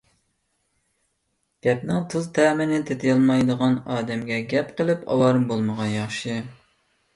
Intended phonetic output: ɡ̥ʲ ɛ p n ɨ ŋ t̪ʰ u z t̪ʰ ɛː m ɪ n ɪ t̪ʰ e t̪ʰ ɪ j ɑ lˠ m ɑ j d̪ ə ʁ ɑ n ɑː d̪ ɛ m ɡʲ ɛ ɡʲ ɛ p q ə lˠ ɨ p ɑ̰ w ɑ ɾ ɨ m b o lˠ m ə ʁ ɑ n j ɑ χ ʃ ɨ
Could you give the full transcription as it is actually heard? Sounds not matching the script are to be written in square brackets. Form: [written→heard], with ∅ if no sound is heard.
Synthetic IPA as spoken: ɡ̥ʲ ɛ p n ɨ ŋ t̪ʰ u z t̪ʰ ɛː m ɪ n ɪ t̪ʰ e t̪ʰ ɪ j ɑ lˠ m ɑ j d̪ ə ʁ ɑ n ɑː d̪ ɛ m ɡʲ ɛ ɡʲ ɛ p q ə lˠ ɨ p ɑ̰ w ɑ ɾ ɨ m b o lˠ m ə ʁ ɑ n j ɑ χ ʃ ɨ